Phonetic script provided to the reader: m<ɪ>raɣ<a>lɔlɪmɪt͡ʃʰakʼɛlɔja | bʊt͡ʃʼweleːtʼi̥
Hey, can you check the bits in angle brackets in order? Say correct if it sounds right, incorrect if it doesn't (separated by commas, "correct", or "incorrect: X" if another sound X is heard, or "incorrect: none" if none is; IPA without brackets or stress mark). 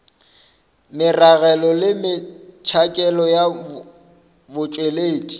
correct, incorrect: ɛ